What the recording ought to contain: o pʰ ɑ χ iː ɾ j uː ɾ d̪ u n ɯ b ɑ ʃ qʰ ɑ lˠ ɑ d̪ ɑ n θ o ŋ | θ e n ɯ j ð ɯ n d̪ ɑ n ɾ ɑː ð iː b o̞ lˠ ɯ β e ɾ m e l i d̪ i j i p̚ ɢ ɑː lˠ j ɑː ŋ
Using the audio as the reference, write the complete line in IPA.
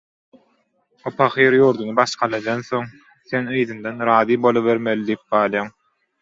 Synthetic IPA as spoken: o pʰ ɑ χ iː ɾ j uː ɾ d̪ u n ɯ b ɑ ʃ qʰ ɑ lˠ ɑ d̪ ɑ n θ o ŋ | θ e n ɯ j ð ɯ n d̪ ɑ n ɾ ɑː ð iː b o̞ lˠ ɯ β e ɾ m e l i d̪ i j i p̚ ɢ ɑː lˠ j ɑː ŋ